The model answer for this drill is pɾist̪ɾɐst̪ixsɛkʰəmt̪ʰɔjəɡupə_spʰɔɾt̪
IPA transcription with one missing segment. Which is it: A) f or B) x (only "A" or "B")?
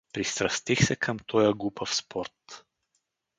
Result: A